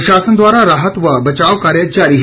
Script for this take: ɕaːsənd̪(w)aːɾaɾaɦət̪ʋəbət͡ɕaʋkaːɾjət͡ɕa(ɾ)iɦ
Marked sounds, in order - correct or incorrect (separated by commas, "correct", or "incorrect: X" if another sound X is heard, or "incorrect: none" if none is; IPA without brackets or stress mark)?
incorrect: ʋ, correct